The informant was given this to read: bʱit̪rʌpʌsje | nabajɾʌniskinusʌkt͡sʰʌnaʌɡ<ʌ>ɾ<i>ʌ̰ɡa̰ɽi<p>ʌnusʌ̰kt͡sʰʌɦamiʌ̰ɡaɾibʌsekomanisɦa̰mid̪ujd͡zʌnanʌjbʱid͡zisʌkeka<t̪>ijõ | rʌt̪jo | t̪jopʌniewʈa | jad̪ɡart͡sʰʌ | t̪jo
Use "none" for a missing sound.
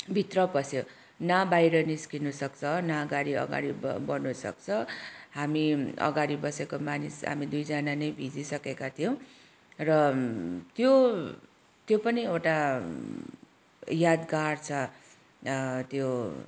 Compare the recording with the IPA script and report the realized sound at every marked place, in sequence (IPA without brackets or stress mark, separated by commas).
a, i, b, t̪ʰ